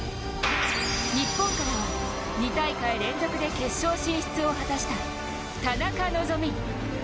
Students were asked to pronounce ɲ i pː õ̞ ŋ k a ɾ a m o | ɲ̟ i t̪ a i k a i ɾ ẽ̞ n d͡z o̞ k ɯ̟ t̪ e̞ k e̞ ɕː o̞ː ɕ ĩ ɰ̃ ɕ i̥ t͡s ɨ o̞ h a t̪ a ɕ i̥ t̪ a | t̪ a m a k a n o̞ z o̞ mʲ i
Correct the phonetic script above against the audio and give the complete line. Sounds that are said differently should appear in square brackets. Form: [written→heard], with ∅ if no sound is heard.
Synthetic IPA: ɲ i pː õ̞ ŋ k a ɾ a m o | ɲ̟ i t̪ a i k a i ɾ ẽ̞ n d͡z o̞ k ɯ̟ [t̪→d̪] e̞ k e̞ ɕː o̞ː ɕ ĩ ɰ̃ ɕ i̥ t͡s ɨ o̞ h a t̪ a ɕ i̥ t̪ a | t̪ a [m→n] a k a n o̞ z o̞ mʲ i